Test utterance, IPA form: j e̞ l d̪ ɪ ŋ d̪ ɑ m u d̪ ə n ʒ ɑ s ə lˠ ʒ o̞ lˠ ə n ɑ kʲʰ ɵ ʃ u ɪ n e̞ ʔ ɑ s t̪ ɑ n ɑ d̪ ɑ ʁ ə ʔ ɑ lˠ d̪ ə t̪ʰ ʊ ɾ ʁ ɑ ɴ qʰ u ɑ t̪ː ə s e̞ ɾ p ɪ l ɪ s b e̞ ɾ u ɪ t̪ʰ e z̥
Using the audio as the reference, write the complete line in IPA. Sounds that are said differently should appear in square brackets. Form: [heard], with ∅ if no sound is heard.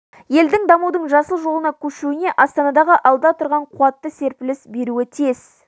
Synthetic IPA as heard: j e̞ l d̪ ɪ ŋ d̪ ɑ m u d̪ ə [ɴ] ʒ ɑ s ə lˠ ʒ o̞ lˠ ə n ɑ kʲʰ ɵ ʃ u ɪ n e̞ ʔ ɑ s t̪ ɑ n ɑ d̪ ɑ ʁ ə ʔ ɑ lˠ d̪ [ɑ] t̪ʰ ʊ ɾ ʁ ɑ ɴ qʰ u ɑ t̪ː ə s e̞ ɾ p ɪ l ɪ s b e̞ ɾ u ɪ t̪ʰ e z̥